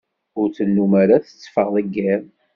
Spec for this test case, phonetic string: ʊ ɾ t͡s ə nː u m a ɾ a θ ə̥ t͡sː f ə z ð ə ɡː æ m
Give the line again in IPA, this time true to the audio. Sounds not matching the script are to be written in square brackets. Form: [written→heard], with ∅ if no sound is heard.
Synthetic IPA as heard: ʊ ɾ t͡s ə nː u m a ɾ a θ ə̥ t͡sː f ə [z→ʁ] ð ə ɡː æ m

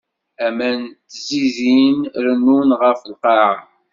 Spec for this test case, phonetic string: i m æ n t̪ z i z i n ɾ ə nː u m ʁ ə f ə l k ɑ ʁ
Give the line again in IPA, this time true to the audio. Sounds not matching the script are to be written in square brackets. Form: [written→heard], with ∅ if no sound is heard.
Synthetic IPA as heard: [i→æ] m æ n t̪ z i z i n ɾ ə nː u [m→n] ʁ ə f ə l [k→q] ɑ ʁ

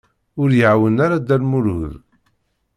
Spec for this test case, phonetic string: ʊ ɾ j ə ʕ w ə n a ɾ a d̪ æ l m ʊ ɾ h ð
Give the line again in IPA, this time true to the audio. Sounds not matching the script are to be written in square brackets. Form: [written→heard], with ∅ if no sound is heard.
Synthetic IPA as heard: ʊ ɾ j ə ʕ w ə n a ɾ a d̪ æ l m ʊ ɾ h ð

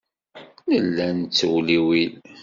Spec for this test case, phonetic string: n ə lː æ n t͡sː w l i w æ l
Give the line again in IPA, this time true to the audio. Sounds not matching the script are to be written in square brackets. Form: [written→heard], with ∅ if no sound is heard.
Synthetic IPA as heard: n ə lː æ n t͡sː w l i w [æ→i] l

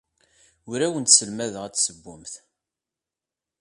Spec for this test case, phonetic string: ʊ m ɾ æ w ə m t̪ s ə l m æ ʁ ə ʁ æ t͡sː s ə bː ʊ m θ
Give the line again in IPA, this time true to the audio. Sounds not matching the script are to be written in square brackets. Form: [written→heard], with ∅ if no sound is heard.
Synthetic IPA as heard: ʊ [m→∅] ɾ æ w ə [m→n] t̪ s ə l m æ [ʁ→ð] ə ʁ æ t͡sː s ə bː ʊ m θ

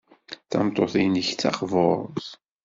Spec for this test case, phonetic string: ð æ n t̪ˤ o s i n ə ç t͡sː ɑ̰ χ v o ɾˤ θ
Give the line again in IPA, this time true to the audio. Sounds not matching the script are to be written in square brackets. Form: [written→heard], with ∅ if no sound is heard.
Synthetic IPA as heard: [ð→θ] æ [n→m] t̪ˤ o [s→θ] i n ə ç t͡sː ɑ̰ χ v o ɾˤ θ

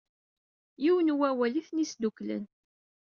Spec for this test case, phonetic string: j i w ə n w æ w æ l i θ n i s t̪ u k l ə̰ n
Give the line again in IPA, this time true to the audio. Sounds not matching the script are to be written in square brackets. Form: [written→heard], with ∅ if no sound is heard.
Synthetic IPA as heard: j i w ə n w æ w æ l i θ n i s [t̪→d̪] u k l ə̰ n

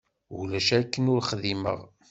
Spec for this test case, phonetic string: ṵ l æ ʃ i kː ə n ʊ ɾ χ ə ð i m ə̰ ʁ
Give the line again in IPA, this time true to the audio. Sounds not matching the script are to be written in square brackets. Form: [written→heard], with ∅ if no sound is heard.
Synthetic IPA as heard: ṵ l æ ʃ [i→æ] kː ə n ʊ ɾ χ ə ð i m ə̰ ʁ

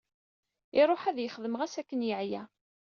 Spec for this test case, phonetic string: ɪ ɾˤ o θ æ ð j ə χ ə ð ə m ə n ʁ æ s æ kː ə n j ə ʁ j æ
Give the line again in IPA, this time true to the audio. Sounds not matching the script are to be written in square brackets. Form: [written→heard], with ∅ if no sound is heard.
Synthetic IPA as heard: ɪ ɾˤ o [θ→ħ] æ ð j ə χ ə ð ə m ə [n→∅] ʁ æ s æ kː ə n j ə [ʁ→ʕ] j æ

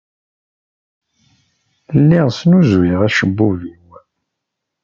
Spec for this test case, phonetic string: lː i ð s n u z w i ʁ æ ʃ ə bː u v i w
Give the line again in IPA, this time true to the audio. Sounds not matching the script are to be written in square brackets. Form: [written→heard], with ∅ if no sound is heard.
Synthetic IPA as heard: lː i [ð→ʁ] s n u z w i ʁ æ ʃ ə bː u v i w

